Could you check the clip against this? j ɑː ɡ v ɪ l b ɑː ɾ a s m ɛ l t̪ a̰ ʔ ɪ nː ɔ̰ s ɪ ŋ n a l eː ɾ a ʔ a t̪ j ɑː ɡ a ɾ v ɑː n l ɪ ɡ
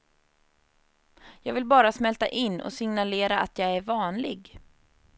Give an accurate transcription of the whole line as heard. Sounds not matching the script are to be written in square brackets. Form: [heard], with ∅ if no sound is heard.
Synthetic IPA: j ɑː ɡ v ɪ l b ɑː ɾ a s m ɛ l t̪ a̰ ʔ ɪ nː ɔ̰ s ɪ ŋ n a l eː ɾ a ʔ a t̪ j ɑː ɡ [æ] ɾ v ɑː n l ɪ ɡ